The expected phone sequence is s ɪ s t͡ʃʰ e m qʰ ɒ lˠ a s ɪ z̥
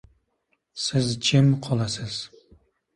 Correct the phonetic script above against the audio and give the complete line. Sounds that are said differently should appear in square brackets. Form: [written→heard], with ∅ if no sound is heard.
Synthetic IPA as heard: s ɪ [s→z] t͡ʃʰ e m qʰ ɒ lˠ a s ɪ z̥